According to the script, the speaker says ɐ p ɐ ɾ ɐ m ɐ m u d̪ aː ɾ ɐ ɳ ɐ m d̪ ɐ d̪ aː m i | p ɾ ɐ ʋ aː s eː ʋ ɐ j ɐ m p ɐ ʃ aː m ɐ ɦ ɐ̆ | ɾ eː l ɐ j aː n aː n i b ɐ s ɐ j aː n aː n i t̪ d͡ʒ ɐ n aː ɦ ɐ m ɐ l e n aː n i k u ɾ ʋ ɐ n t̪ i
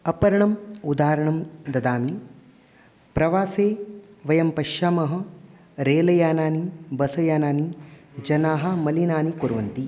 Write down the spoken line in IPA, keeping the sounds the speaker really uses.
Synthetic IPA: ɐ p ɐ ɾ ɐ ɳ ɐ m u d̪ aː ɾ ɐ ɳ ɐ m d̪ ɐ d̪ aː m i | p ɾ ɐ ʋ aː s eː ʋ ɐ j ɐ m p ɐ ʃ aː m ɐ ɦ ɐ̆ | ɾ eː l ɐ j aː n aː n i b ɐ s ɐ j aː n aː n i d͡ʒ ɐ n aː ɦ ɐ m ɐ l i n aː n i k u ɾ ʋ ɐ n t̪ i